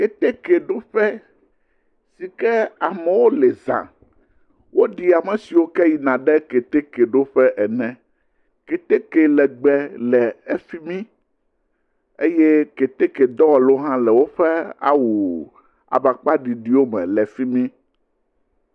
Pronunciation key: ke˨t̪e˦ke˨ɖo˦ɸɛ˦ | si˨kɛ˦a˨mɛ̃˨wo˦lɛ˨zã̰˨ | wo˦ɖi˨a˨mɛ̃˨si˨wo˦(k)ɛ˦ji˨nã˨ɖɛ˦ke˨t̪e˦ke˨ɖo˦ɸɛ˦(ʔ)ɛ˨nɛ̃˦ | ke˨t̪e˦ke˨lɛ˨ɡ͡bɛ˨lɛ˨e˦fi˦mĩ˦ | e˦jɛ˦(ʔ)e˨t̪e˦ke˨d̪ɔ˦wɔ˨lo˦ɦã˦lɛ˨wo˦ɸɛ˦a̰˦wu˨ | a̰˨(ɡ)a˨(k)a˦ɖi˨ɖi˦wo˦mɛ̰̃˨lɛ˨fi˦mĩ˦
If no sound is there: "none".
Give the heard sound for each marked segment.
k, ʔ, k, b, k͡p

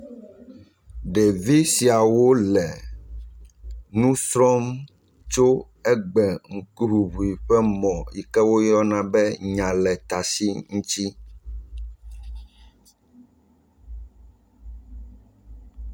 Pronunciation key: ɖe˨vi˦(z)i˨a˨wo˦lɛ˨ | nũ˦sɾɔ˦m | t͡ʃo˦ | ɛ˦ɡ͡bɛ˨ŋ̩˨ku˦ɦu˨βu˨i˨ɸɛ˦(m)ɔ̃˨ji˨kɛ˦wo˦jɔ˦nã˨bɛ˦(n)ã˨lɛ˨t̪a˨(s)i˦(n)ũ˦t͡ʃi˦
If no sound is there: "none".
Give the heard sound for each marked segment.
s, m, ɲ, s, ŋ

